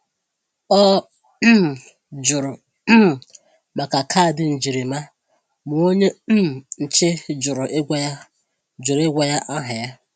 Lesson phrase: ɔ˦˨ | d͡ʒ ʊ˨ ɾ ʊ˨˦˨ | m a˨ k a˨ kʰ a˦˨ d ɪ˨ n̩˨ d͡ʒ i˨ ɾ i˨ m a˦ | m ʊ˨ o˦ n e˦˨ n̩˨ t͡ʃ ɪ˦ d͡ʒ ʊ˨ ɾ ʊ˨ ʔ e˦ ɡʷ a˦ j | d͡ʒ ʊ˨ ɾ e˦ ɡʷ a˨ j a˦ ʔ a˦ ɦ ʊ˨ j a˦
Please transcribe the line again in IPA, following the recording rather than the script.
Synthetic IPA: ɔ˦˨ | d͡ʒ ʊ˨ ɾ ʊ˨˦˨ | m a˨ k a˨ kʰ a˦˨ d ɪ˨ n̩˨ d͡ʒ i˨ ɾ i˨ m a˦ | m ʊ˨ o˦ ɲ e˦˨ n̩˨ t͡ʃ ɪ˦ d͡ʒ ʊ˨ ɾ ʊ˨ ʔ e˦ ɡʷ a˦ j | d͡ʒ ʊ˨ ɾ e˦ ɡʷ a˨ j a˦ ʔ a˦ ɦ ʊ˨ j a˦